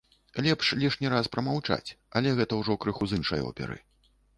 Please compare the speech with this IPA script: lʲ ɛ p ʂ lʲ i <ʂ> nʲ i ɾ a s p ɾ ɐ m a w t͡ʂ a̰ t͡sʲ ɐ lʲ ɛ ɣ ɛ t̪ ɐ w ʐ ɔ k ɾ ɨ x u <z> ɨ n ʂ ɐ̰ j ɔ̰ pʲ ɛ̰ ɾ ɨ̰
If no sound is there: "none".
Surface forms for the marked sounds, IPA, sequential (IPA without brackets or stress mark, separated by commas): ʂ, z